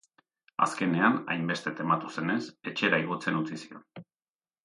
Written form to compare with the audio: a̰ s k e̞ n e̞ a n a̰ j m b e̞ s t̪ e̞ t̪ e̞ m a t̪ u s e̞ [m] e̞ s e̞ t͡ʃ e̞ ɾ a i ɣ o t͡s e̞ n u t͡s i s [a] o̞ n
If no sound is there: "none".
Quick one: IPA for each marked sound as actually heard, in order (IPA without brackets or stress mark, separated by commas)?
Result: n, i